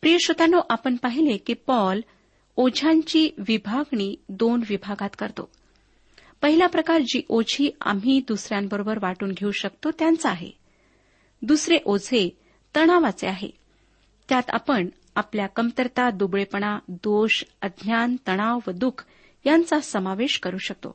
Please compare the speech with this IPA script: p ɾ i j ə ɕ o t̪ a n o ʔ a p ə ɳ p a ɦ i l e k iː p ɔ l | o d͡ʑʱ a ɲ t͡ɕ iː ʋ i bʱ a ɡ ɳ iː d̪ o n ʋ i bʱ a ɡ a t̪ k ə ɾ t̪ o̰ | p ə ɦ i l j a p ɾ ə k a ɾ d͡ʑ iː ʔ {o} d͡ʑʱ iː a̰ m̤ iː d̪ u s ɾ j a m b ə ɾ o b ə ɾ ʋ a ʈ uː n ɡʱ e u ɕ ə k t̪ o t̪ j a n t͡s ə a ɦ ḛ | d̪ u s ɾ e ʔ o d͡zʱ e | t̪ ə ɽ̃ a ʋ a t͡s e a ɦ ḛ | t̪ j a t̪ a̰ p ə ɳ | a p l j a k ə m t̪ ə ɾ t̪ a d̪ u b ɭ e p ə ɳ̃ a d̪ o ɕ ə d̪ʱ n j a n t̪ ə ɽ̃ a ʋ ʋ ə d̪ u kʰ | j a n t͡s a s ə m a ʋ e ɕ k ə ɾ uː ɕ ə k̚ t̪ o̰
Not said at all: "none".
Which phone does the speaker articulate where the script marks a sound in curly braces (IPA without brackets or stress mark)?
o